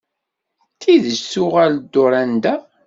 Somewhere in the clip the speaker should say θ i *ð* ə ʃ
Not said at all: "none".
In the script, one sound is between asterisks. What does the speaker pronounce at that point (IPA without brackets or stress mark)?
ð